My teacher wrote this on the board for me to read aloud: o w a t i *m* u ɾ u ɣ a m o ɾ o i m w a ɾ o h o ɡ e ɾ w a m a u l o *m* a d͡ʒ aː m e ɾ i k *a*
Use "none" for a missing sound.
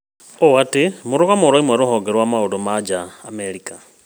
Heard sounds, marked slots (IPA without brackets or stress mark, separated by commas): m, m, a